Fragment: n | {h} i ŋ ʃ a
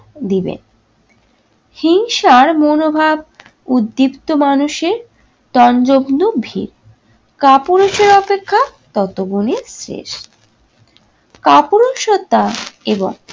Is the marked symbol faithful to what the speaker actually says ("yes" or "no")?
yes